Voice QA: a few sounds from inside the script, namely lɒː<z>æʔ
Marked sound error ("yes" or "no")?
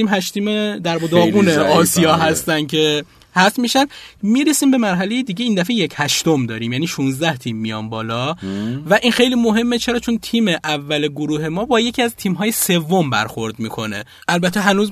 yes